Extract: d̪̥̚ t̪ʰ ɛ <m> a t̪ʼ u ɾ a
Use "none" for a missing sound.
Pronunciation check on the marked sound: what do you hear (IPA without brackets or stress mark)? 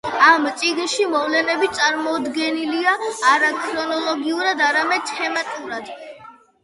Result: m